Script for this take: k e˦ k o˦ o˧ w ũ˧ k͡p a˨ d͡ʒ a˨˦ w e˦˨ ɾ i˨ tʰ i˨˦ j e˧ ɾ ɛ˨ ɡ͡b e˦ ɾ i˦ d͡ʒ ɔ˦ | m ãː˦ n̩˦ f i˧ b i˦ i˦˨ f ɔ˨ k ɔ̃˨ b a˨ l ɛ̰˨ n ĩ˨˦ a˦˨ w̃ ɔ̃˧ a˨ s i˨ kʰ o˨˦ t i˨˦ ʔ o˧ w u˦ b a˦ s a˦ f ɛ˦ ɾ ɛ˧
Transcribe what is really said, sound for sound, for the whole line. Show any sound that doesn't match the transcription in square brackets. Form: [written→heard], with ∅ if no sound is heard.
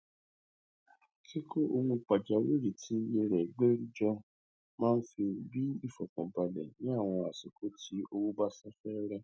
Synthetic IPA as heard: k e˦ k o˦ o˧ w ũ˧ k͡p a˨ d͡ʒ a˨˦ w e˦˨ ɾ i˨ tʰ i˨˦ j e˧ ɾ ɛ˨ ɡ͡b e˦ ɾ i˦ d͡ʒ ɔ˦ | m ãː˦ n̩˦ f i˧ b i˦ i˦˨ f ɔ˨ k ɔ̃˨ b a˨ l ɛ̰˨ n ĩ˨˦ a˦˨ w̃ ɔ̃˧ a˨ s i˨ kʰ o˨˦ t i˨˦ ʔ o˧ w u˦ b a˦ s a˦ f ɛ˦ ɾ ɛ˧